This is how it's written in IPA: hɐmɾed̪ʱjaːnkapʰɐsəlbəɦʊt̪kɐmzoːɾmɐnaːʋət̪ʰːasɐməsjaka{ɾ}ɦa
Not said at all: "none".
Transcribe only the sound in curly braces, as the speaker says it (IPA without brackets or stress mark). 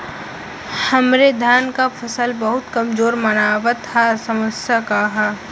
none